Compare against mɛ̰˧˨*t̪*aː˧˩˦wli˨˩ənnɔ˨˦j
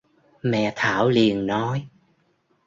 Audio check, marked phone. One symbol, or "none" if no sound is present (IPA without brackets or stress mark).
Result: t̪ʰ